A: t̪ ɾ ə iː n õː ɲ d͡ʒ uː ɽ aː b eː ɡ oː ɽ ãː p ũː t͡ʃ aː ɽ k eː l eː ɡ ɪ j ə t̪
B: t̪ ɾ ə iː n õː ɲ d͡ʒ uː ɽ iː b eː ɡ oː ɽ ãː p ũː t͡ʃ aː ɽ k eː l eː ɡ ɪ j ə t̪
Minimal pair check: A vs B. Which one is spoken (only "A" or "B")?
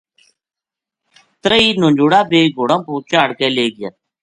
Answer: A